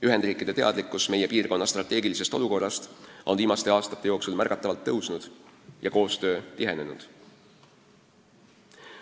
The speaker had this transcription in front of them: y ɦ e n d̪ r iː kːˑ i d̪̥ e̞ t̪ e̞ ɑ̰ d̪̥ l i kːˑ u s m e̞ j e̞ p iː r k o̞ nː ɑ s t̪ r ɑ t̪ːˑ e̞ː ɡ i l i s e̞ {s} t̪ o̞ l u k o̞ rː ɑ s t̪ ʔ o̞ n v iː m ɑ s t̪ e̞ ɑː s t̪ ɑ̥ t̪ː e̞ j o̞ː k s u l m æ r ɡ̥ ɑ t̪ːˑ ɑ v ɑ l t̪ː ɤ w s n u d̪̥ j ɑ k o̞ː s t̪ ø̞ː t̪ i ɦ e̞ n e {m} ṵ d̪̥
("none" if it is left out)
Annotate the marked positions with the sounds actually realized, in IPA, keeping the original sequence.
s, n

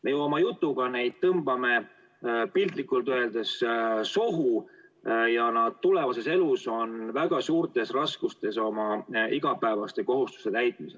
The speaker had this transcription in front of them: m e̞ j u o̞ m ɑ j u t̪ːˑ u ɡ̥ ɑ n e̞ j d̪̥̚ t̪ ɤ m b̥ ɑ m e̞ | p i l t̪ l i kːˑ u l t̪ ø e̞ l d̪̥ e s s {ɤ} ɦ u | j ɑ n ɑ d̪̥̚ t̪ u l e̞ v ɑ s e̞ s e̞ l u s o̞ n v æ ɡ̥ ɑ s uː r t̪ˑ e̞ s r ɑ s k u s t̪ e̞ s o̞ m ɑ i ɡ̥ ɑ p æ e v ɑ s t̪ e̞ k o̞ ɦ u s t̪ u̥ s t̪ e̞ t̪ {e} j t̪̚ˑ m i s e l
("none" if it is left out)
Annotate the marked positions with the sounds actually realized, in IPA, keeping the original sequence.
o, æ

